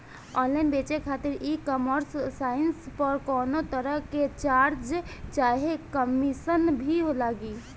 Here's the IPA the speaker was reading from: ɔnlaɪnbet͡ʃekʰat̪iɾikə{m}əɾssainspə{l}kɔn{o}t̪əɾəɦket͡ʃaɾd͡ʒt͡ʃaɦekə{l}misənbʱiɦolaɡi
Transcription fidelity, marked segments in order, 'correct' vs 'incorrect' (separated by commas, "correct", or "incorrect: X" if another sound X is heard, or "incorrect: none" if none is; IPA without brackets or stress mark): correct, incorrect: ɾ, correct, incorrect: none